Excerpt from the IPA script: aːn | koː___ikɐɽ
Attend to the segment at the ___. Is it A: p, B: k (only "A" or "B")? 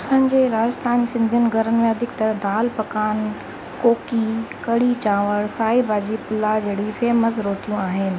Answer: B